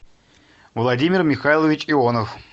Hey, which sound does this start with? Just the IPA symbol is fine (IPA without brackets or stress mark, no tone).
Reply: v